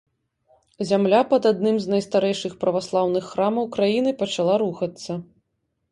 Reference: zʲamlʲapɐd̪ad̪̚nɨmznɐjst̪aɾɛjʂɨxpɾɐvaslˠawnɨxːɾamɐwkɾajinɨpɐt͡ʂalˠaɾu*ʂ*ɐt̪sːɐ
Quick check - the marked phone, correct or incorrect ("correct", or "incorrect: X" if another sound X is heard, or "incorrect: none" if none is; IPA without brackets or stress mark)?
incorrect: x